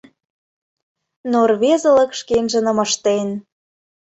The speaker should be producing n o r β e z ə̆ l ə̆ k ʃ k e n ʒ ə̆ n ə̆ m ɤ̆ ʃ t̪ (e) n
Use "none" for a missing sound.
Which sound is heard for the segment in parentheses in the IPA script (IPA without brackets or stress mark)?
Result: e